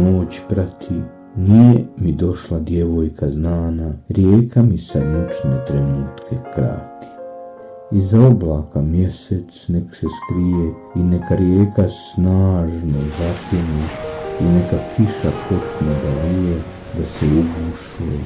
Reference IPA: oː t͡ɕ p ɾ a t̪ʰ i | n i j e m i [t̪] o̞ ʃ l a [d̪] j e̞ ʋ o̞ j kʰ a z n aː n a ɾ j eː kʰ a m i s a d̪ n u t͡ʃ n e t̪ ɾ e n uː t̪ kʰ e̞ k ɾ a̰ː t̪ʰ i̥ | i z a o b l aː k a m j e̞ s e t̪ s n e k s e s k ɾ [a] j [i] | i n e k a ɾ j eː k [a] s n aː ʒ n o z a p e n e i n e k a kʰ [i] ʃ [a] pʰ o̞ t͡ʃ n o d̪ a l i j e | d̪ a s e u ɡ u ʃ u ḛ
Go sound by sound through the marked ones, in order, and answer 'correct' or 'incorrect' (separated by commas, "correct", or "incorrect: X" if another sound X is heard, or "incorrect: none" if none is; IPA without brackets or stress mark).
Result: incorrect: d̪, correct, incorrect: i, incorrect: e, correct, correct, correct